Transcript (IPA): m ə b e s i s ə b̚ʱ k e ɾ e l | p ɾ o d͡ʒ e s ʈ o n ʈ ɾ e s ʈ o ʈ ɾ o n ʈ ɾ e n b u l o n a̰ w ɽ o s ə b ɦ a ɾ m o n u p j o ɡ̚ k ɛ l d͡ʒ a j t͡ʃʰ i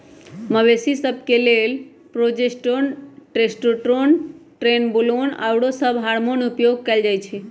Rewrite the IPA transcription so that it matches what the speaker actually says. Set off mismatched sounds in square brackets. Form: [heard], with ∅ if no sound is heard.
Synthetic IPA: m ə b e s i s ə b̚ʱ k e [l] e l | p ɾ o d͡ʒ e s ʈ o n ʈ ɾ e s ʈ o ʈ ɾ o n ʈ ɾ e n b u l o n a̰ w ɽ o s ə b ɦ a ɾ m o n u p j o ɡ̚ k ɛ l d͡ʒ a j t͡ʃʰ i